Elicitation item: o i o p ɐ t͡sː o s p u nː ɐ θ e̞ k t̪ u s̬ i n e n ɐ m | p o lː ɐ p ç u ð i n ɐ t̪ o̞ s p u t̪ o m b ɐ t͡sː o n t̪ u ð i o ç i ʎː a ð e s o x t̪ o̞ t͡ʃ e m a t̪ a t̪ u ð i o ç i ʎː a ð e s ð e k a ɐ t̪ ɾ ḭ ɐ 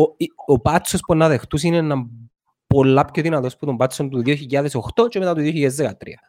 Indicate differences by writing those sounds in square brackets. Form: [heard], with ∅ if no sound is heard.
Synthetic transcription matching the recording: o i o p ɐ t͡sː o s p u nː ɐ [ð] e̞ [x] t̪ u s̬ i n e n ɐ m | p o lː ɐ p ç [o] ð i n ɐ t̪ o̞ s p u t̪ o m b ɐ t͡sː o n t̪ u ð i o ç i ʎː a ð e s o x t̪ o̞ t͡ʃ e m [e] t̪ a t̪ u ð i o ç i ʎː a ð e [z] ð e k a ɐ t̪ ɾ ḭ ɐ